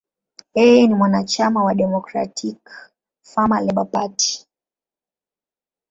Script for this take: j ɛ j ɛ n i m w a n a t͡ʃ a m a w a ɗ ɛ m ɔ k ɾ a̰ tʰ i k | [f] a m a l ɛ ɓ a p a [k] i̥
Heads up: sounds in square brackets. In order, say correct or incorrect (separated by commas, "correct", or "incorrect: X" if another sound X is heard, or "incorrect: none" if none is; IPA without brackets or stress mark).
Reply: correct, incorrect: t